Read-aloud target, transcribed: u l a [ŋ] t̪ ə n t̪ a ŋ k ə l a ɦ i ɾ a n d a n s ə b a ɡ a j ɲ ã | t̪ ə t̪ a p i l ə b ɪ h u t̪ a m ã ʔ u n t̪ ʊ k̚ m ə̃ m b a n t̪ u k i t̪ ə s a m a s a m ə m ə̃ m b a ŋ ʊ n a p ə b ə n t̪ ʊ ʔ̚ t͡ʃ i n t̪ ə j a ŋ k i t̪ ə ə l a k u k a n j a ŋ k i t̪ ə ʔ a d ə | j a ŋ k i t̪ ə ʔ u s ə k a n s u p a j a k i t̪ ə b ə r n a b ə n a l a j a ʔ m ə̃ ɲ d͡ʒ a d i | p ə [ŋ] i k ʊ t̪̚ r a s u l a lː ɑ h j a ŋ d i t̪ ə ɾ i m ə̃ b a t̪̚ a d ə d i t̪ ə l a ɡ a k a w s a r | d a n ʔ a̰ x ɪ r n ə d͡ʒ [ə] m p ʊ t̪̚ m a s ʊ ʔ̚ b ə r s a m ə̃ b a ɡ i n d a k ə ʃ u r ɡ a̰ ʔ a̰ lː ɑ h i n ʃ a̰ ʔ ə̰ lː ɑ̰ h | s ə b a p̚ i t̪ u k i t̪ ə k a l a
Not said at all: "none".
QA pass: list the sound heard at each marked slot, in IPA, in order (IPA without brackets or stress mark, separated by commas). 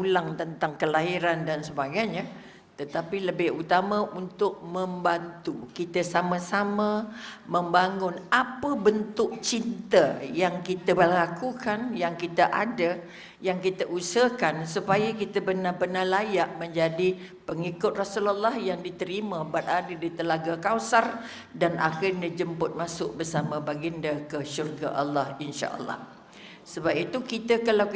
ŋ, ŋ, ə